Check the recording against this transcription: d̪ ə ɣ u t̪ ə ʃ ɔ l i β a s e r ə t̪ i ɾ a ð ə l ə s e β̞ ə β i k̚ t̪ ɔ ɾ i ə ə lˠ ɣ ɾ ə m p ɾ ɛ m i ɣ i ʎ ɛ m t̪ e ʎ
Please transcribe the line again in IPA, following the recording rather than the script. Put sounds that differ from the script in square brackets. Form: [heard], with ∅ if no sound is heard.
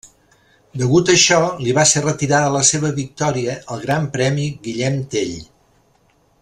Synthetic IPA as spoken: d̪ ə ɣ u t̪ ə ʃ ɔ l i β a s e r ə t̪ i ɾ a ð ə l ə s e β̞ ə β i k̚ t̪ ɔ ɾ i ə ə lˠ ɣ ɾ [a] m p ɾ ɛ m i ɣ i ʎ ɛ m t̪ e ʎ